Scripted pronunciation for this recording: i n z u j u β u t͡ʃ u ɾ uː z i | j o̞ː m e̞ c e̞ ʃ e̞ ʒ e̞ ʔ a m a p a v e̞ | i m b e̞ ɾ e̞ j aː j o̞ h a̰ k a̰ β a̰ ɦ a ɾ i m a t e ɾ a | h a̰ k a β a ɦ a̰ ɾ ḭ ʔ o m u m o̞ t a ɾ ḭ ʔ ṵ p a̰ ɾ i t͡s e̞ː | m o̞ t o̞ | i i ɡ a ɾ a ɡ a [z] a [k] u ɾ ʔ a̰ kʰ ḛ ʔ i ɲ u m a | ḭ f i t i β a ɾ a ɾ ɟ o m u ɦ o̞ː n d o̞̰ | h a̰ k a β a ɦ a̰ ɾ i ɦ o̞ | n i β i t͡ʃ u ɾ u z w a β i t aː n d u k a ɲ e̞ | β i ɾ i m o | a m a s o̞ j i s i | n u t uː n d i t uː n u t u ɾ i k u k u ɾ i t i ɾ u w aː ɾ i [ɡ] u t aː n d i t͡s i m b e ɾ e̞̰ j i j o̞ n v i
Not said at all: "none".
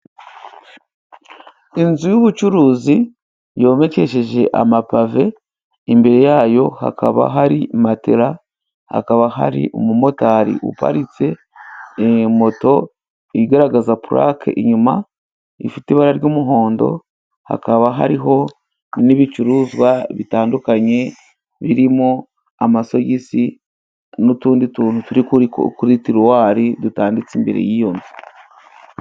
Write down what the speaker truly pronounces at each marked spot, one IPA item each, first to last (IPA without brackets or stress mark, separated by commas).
z, p, d